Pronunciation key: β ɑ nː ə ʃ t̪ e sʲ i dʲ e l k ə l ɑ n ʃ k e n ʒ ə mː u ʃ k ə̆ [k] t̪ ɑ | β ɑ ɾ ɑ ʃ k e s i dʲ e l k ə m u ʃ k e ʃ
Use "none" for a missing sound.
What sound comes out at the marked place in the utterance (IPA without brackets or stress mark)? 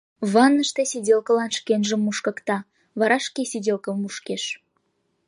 k